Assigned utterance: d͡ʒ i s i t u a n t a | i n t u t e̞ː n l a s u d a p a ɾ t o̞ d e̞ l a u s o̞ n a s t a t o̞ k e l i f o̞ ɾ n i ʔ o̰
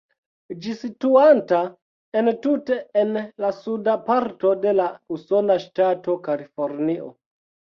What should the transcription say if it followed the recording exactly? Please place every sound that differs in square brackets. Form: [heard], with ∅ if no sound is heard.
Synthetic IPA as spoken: d͡ʒ i s i t u a n t a | [e] n t u t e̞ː n l a s u d a p a ɾ t o̞ d e̞ l a u s o̞ n a [ʃ] t a t o̞ k [a] l i f o̞ ɾ n i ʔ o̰